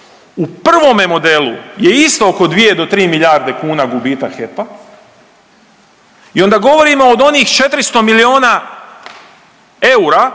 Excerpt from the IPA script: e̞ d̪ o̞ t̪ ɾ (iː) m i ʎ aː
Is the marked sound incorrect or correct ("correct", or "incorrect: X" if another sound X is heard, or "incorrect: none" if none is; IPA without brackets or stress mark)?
correct